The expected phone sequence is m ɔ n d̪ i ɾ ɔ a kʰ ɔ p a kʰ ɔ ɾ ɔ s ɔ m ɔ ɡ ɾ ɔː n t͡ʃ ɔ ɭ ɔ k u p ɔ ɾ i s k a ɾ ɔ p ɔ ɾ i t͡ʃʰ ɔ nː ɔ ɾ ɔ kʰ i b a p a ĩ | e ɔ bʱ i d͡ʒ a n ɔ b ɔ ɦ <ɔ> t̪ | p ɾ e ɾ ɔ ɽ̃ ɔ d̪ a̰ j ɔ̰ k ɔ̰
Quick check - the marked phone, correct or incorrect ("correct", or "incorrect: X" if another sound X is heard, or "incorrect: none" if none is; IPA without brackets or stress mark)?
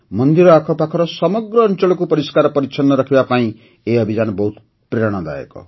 incorrect: u